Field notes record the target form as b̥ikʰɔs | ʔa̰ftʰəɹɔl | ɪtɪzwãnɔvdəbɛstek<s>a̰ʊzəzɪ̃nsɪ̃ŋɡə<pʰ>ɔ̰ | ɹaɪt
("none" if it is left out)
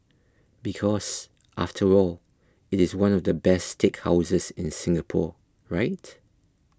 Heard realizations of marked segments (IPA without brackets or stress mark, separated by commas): h, pʰ